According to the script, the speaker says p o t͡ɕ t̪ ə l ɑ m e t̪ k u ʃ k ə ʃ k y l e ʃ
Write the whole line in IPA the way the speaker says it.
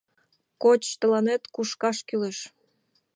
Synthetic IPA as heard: k o t͡ɕ t̪ ə l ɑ n e t̪ k u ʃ k ɑ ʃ k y l e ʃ